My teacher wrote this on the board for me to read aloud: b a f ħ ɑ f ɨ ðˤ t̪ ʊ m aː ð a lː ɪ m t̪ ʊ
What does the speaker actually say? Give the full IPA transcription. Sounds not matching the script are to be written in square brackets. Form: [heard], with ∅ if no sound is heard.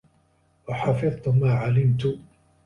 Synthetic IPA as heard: [w] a [∅] ħ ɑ f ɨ ðˤ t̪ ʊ m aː [ʕ] a [l] ɪ m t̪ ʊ